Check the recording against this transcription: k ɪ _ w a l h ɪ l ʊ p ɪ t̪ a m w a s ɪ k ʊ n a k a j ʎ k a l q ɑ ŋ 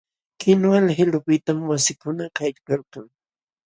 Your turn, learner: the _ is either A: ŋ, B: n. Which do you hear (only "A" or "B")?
B